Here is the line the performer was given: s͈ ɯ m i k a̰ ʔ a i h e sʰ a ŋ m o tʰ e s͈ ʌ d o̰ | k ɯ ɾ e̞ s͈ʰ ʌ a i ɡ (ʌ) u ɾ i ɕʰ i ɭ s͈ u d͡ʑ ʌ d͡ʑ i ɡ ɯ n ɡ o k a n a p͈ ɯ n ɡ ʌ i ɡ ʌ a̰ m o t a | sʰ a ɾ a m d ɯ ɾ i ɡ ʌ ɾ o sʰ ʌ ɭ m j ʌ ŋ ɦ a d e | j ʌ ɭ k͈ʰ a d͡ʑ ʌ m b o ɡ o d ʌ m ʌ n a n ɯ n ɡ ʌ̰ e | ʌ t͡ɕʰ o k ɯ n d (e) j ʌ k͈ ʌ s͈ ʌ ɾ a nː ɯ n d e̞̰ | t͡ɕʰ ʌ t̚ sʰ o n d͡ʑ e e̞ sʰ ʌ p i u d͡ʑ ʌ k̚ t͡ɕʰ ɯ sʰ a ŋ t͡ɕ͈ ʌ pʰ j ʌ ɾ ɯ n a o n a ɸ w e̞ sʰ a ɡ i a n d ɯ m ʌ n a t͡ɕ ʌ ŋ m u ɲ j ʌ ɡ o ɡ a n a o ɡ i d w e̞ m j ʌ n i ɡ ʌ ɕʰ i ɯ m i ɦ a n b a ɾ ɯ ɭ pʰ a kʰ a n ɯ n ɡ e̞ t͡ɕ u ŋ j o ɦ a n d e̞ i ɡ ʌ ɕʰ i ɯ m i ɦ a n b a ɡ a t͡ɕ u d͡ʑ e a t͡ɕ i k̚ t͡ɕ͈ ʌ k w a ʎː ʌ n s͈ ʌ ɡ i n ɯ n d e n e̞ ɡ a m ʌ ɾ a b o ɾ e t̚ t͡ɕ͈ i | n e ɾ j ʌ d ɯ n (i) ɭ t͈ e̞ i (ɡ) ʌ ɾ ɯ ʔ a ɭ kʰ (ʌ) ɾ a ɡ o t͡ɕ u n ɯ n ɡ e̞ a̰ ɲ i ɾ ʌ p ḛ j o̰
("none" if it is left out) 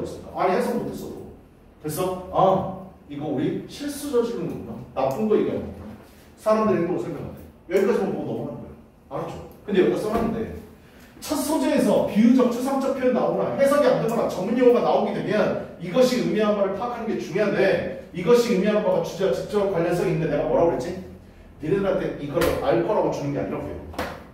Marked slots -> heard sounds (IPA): ʌ, e, a, ɡ, ʌ

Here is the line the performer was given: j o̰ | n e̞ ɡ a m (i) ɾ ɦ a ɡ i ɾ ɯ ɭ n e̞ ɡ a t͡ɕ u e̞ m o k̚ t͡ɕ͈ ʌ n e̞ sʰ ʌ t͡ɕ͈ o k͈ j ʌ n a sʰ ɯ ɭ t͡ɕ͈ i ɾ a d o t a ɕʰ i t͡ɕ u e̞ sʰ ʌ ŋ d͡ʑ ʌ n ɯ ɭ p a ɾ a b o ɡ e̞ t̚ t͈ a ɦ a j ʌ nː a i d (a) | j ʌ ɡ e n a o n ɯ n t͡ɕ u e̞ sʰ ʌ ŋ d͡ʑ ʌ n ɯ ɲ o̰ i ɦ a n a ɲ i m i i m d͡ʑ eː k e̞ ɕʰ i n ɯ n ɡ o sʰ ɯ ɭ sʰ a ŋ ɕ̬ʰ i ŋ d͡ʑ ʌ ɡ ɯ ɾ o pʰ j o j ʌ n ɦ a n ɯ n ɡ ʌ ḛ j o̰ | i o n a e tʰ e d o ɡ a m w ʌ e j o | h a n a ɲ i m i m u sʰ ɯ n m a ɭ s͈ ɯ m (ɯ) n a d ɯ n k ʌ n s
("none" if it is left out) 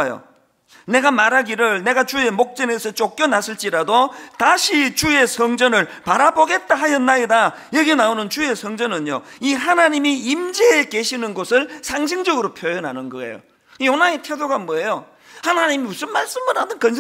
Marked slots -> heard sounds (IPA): a, a, ɯ

